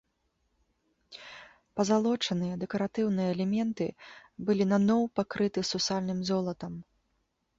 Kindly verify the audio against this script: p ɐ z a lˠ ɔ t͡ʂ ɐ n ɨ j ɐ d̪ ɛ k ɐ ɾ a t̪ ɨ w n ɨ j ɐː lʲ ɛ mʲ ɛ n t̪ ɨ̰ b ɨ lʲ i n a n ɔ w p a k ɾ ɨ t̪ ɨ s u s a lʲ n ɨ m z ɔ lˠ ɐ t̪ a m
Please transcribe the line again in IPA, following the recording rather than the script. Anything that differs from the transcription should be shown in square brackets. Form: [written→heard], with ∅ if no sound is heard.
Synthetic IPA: p ɐ z a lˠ ɔ t͡ʂ ɐ n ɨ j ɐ d̪ ɛ k ɐ ɾ a t̪ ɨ w n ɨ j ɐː lʲ ɛ mʲ ɛ n t̪ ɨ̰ b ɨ lʲ i n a n ɔ w p a k ɾ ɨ t̪ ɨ s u s a lʲ n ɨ m z ɔ lˠ ɐ t̪ [a→ɐ] m